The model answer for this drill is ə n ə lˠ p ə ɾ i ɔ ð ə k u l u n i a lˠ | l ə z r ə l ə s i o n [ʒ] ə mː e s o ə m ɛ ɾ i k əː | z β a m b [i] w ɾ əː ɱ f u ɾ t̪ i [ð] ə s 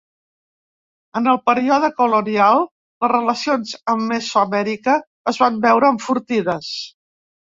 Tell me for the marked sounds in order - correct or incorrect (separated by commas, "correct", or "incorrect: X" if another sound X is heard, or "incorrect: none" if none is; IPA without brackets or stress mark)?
incorrect: z, incorrect: ɛ, correct